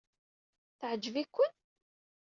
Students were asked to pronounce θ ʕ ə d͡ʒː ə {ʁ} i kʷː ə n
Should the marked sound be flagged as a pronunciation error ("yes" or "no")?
yes